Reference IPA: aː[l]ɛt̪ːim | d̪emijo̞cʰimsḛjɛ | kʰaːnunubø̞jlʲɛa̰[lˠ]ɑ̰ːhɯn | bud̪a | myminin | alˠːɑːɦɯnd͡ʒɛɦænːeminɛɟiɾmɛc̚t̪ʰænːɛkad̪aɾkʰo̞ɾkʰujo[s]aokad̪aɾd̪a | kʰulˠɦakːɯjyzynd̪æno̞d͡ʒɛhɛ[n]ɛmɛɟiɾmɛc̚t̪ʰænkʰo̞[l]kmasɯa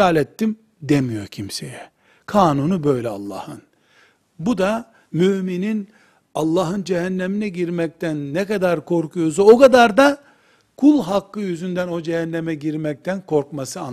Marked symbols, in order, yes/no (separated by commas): yes, no, no, no, no